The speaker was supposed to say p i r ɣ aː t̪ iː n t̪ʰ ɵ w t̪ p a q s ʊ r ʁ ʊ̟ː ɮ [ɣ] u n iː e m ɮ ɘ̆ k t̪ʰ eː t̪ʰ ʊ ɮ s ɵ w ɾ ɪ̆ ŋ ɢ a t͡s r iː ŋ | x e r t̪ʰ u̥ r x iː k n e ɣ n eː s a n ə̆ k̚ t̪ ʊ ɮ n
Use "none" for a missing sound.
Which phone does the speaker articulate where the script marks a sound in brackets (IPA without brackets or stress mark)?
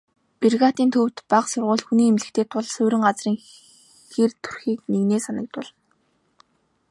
x